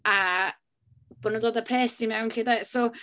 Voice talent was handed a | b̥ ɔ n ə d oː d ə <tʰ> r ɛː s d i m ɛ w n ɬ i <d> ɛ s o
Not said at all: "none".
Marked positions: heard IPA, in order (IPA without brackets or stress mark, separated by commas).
pʰ, d